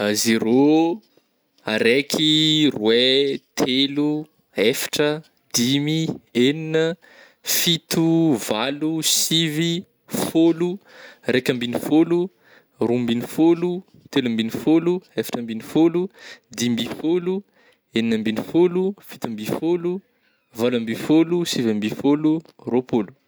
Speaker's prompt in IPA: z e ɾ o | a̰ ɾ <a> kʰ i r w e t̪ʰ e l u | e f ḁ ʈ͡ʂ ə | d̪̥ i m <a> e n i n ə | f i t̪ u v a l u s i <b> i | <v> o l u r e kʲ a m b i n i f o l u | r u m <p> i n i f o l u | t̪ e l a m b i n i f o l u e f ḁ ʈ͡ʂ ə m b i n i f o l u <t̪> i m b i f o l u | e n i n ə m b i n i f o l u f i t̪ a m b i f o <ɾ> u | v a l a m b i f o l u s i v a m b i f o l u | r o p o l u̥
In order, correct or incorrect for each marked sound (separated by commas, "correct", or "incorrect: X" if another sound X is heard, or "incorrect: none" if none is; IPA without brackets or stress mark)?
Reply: incorrect: e, incorrect: i, incorrect: v, incorrect: f, incorrect: b, incorrect: d̪, incorrect: l